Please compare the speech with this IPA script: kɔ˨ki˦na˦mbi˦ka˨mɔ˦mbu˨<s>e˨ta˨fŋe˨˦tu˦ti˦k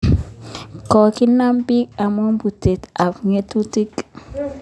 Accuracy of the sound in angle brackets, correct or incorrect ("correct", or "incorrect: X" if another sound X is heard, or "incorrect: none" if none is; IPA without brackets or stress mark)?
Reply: incorrect: t